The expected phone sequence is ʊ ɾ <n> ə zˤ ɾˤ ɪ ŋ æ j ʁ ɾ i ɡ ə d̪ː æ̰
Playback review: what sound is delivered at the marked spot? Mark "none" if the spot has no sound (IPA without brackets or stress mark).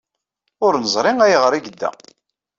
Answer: n